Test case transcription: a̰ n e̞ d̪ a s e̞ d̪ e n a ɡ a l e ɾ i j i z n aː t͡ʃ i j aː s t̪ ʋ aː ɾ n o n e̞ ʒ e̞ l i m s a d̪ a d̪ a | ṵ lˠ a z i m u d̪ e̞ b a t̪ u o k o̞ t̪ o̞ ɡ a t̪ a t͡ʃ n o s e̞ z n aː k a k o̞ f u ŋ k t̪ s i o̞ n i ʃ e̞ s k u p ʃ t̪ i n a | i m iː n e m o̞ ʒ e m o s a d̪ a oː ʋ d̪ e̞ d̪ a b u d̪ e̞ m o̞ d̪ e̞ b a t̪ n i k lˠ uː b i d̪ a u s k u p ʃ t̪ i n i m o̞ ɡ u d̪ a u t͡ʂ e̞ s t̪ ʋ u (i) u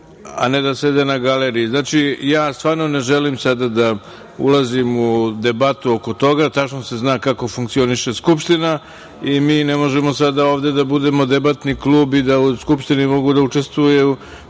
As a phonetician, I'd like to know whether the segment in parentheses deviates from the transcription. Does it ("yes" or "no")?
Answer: yes